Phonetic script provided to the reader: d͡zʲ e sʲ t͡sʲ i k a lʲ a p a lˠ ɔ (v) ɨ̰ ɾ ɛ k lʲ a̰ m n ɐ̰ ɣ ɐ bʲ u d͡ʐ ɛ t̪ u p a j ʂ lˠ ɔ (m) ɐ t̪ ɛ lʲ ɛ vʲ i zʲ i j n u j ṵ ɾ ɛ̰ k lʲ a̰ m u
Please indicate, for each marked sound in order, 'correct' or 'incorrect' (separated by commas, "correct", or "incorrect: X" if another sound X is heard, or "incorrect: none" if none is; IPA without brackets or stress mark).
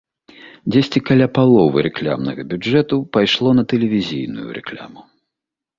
correct, incorrect: n